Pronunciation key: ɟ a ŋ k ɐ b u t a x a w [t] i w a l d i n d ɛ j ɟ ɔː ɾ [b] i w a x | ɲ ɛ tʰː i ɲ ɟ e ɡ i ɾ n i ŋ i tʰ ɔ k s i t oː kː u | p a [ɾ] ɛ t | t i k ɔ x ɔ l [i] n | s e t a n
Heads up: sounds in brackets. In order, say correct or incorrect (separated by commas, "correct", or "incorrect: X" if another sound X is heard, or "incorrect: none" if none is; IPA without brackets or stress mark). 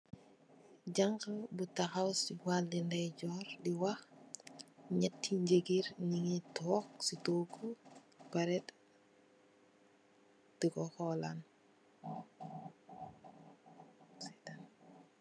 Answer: incorrect: s, incorrect: d, correct, incorrect: a